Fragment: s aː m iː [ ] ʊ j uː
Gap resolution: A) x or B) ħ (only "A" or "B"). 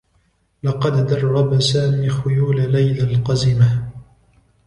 A